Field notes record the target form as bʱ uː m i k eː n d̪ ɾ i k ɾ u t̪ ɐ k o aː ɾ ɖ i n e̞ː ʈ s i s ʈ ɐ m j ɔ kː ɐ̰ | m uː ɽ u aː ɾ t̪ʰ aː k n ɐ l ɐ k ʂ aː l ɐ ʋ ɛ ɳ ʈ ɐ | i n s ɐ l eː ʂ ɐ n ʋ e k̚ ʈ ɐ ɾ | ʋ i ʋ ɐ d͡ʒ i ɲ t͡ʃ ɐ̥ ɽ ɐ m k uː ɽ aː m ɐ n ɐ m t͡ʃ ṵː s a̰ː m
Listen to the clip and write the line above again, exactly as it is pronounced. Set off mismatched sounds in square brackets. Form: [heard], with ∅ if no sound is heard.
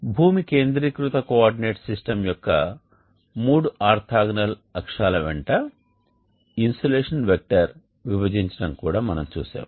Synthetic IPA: bʱ uː m i k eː n d̪ ɾ i k ɾ u t̪ ɐ k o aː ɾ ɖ i n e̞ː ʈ s i s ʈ ɐ m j ɔ kː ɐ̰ | m uː ɽ u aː ɾ t̪ʰ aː [ɡ] n ɐ l ɐ k ʂ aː l ɐ ʋ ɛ ɳ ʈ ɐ | i n s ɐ l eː ʂ ɐ n ʋ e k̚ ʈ ɐ ɾ | ʋ i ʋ ɐ d͡ʒ i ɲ t͡ʃ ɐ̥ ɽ ɐ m k uː ɽ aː m ɐ n ɐ m t͡ʃ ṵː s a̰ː m